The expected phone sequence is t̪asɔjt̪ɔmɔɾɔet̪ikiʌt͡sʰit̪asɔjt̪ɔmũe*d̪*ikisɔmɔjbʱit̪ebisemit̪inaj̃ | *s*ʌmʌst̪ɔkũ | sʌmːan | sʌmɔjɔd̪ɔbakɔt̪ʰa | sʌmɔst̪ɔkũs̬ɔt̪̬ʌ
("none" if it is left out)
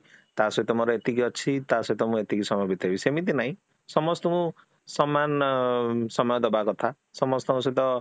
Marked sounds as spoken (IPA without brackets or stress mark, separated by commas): t̪, s